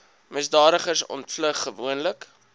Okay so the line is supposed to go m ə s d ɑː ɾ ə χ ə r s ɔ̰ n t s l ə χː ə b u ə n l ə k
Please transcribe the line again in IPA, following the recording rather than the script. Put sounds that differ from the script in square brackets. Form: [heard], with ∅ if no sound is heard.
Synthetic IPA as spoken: m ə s d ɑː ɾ ə χ ə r s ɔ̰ n t [f] l ə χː ə [v] u ə n l ə k